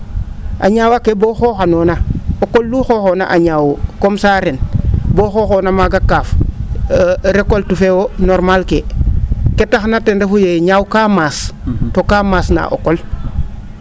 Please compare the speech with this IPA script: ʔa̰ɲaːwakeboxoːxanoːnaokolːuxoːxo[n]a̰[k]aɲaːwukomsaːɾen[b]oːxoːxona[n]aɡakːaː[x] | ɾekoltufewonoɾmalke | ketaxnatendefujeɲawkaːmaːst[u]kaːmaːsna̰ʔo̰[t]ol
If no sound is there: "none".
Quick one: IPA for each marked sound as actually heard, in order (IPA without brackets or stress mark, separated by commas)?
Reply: n, ʔ, b, m, f, o, k